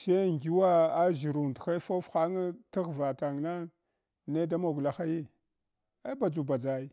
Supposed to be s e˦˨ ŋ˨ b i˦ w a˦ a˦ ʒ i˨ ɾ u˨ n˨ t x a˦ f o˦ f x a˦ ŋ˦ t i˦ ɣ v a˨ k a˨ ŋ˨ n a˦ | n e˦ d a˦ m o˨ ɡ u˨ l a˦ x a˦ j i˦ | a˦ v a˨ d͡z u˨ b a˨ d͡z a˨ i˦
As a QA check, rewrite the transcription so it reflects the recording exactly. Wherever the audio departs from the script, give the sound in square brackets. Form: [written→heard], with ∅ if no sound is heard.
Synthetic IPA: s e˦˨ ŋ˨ [b→ɡ] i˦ w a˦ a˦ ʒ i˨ ɾ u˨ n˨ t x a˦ f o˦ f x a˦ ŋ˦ t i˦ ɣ v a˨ [k→t] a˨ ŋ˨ n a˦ | n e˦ d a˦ m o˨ ɡ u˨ l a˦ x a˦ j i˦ | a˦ [v→b] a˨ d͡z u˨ b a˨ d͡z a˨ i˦